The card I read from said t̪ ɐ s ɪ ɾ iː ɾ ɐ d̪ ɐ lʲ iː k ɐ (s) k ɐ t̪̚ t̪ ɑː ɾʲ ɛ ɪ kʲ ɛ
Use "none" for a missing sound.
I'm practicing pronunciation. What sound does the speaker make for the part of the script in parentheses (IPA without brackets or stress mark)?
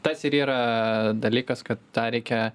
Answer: s